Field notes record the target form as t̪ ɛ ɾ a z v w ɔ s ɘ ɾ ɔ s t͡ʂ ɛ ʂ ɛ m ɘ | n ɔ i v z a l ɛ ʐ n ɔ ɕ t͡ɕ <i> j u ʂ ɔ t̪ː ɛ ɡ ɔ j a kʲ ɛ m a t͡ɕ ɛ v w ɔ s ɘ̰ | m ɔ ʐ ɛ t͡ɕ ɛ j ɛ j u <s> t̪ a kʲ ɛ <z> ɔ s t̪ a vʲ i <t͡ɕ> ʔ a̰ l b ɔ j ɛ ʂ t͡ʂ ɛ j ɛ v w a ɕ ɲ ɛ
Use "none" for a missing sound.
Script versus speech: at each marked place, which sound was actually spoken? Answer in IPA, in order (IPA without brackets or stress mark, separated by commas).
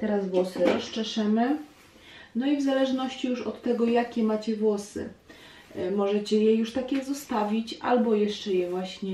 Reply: i, ʂ, z, t͡ɕ